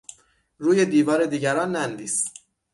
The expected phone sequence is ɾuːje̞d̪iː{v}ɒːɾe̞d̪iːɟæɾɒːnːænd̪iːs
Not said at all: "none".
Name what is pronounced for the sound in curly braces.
v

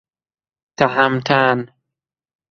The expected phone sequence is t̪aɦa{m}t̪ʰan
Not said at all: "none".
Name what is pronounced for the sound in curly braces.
m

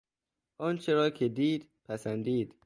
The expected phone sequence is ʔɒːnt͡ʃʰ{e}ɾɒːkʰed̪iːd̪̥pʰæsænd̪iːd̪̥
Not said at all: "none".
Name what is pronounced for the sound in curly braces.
e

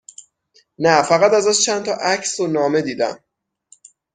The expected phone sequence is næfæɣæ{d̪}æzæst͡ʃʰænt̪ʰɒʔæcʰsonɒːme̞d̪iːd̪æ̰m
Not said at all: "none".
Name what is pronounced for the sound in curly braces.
t̪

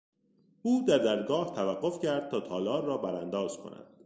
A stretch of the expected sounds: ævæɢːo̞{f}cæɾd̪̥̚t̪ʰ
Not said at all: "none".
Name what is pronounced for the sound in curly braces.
f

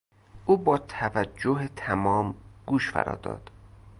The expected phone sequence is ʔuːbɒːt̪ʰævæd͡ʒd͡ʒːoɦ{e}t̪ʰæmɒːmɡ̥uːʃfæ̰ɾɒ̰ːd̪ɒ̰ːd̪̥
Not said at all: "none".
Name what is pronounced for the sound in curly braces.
e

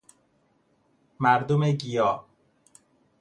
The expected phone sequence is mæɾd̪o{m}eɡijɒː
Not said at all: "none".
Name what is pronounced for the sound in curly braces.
m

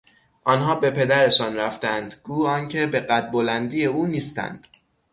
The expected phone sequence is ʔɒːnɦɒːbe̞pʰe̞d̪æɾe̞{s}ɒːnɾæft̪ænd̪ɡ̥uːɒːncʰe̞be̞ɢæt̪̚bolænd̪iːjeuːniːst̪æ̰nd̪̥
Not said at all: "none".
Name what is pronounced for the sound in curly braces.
ʃ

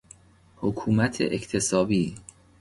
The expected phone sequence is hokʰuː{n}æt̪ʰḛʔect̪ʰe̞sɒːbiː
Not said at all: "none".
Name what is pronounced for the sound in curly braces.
m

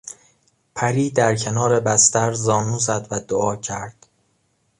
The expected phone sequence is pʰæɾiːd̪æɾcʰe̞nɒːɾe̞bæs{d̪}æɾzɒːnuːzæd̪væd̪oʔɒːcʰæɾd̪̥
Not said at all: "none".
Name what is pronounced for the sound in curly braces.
t̪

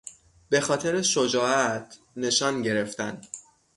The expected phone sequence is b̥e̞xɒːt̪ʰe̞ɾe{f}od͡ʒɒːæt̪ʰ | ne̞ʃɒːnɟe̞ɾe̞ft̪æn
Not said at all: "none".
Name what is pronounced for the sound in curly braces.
ʃ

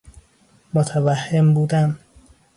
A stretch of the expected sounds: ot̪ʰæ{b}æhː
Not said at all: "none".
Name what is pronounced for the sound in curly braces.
v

